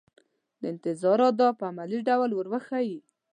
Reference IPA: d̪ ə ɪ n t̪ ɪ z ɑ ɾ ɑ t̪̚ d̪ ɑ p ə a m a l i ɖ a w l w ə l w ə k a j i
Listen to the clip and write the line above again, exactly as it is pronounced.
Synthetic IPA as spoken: d̪ ə ɪ n t̪ ɪ z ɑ ɾ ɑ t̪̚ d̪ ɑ p ə a m a l i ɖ a w l w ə ɾ w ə x a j i